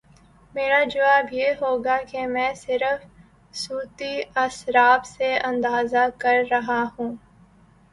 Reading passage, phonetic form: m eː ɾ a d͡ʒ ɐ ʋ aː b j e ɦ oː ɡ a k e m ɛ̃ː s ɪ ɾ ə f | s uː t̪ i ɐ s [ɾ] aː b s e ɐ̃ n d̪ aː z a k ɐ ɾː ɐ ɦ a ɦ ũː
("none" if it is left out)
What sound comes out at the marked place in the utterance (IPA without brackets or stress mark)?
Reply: ɾ